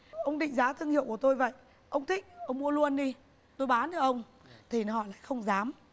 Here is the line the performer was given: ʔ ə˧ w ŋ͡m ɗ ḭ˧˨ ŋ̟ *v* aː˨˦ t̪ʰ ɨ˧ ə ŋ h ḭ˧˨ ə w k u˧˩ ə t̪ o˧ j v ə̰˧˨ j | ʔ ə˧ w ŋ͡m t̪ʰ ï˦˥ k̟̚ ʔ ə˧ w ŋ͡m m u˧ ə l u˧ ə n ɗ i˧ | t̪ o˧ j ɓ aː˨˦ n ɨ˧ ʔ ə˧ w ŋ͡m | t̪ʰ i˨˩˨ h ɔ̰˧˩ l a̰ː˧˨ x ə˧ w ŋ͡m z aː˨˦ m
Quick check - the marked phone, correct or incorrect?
incorrect